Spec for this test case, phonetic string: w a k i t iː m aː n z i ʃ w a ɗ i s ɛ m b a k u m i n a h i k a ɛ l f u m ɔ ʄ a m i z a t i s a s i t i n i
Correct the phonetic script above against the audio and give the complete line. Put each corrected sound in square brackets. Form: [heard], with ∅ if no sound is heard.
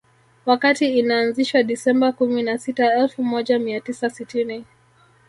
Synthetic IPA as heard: w a k [a] t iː [n] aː n z i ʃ w a ɗ i s ɛ m b a k u m i n a [s] i [t] a ɛ l f u m ɔ ʄ a m i [∅] a t i s a s i t i n i